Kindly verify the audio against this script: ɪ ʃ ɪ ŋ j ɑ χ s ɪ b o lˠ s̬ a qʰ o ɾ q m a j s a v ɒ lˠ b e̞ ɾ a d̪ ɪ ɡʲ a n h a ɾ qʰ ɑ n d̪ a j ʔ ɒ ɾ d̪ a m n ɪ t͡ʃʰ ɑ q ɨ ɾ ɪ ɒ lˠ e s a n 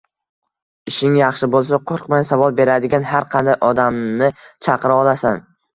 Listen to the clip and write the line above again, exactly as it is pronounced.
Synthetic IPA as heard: ɪ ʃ ɪ ŋ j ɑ χ ʃ ɪ b o lˠ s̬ a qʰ o ɾ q m a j s a v ɒ lˠ b e̞ ɾ a d̪ ɪ ɡʲ a n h a ɾ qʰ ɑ n d̪ a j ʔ ɒ d̪ a m n ɪ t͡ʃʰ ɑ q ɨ ɾ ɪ ɒ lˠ a s a n